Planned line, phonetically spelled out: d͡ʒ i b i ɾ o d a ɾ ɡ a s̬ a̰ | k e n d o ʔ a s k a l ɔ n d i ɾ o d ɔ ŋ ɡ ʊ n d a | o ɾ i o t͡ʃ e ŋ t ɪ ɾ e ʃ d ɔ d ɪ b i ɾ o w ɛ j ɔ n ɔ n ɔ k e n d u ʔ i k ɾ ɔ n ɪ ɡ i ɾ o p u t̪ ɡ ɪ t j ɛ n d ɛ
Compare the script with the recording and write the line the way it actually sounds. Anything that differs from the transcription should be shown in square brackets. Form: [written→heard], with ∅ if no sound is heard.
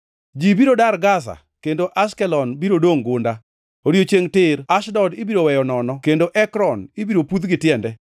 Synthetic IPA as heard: d͡ʒ i b i ɾ o d a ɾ ɡ a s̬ a̰ | k e n d o ʔ a s k [a→ɛ] l ɔ n [d→b] i ɾ o d [ɔ→o] ŋ ɡ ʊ n d a | o ɾ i o t͡ʃ e ŋ t ɪ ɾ [e→a] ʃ d ɔ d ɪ b i ɾ o w ɛ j ɔ n ɔ n ɔ k e n d [u→o] ʔ [i→ɛ] k ɾ ɔ n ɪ [ɡ→b] i ɾ o p u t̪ ɡ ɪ t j ɛ n d ɛ